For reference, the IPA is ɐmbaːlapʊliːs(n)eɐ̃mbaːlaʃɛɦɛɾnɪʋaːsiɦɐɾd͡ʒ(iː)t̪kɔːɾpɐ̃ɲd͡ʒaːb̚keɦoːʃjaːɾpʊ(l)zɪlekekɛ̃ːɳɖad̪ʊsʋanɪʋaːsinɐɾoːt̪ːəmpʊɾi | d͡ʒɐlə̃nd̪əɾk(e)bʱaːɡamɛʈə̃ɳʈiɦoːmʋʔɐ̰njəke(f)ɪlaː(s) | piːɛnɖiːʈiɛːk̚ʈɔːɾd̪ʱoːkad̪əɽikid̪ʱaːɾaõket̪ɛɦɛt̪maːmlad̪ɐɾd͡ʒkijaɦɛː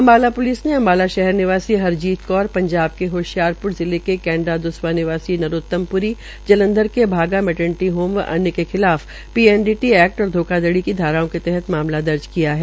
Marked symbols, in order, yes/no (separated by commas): yes, yes, no, yes, no, no